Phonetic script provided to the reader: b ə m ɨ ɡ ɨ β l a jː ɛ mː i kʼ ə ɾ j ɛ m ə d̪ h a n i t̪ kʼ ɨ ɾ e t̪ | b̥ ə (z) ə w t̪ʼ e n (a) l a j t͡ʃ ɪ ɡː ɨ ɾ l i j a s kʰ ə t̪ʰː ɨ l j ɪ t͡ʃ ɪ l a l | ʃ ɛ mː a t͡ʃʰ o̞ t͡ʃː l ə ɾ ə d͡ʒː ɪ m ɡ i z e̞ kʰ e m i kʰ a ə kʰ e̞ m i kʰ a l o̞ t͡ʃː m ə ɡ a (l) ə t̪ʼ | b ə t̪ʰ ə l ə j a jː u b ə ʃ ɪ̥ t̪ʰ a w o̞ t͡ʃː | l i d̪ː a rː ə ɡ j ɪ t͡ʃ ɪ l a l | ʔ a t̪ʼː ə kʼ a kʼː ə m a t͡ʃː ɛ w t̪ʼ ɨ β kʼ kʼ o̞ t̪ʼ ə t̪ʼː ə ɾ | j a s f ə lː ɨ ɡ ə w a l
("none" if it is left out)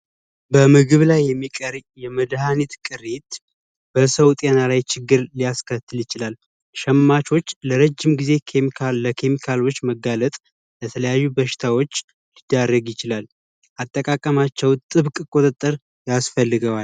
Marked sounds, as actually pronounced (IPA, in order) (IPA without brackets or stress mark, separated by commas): s, a, l